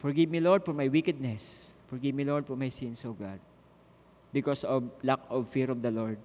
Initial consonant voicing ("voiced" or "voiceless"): voiceless